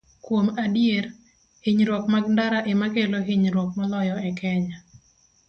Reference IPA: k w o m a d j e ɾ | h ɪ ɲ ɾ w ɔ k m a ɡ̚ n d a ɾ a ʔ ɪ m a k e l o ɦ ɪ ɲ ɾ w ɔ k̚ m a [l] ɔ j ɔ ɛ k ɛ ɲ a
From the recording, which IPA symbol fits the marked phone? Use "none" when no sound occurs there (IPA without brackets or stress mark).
l